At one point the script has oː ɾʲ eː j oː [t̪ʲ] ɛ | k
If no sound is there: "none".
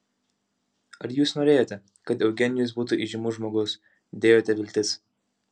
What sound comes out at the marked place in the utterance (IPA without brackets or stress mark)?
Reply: t̪ʲ